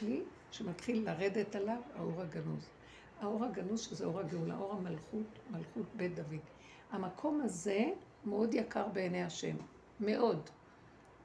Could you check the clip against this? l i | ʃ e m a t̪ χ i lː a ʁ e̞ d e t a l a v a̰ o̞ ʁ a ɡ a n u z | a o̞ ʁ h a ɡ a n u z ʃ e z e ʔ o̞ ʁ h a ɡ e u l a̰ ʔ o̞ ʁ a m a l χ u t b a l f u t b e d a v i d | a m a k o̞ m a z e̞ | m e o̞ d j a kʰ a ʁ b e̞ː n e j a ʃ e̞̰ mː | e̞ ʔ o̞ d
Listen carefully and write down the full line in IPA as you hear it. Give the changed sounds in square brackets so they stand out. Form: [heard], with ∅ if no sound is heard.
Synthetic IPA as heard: l i | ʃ e m a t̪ χ i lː a ʁ e̞ d e t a l a v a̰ o̞ ʁ a ɡ a n u z | a o̞ ʁ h a ɡ a n u z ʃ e z e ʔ o̞ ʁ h a ɡ e u l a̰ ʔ o̞ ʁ a m a l χ u t [m] a l [χ] u t b e d a v i d | a m a [kʰ] o̞ m a z e̞ | m e o̞ d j a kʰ a ʁ b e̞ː n e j a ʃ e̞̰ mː | e̞ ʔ o̞ d